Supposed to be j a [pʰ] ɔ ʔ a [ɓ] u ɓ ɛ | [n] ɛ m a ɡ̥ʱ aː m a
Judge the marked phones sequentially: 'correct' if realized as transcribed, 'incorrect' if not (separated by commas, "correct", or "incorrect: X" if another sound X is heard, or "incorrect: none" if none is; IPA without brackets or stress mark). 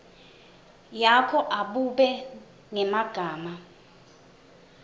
incorrect: kʰ, correct, incorrect: ŋ